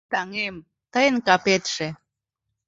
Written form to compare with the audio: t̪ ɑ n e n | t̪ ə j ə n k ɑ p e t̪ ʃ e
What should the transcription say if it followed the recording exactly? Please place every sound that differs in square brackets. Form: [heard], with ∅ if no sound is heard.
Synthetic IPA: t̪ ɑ [ŋ] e [m] | t̪ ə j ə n k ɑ p e t̪ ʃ e